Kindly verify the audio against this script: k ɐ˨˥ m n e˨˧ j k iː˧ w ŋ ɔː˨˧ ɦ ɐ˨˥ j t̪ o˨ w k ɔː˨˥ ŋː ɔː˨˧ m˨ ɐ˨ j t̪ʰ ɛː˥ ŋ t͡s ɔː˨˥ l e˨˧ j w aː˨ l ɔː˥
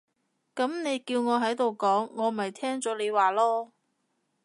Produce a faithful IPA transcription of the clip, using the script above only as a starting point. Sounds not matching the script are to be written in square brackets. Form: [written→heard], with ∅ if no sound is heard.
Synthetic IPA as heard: k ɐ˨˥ m n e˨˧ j k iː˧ w ŋ ɔː˨˧ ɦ ɐ˨˥ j t̪ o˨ w k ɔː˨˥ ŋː ɔː˨˧ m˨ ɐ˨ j t̪ʰ ɛː˥ ŋ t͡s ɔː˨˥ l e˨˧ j w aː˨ l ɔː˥

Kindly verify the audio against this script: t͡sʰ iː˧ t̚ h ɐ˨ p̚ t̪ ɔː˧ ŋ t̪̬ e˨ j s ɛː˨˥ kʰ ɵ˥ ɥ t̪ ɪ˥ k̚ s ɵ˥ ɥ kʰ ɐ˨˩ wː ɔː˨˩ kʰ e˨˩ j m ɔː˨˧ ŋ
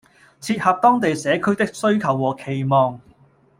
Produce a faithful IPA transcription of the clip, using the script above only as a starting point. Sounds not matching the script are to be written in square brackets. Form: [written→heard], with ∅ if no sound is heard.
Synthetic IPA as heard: t͡sʰ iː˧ t̚ h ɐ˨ p̚ t̪ [ɔː˧→ɔː˥] ŋ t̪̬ e˨ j s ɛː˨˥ kʰ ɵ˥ ɥ t̪ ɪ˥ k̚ s ɵ˥ ɥ kʰ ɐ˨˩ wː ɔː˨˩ kʰ e˨˩ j m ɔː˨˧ ŋ

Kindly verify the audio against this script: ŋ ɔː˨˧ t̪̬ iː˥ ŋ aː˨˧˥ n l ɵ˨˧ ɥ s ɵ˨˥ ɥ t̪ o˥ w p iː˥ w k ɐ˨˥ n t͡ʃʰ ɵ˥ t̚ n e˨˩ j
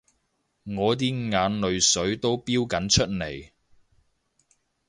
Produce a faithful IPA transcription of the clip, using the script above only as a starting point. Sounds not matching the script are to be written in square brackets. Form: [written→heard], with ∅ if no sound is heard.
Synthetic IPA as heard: ŋ ɔː˨˧ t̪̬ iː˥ ŋ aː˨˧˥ n l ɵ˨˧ ɥ s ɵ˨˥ ɥ t̪ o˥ w p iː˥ w k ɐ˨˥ n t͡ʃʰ ɵ˥ t̚ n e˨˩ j

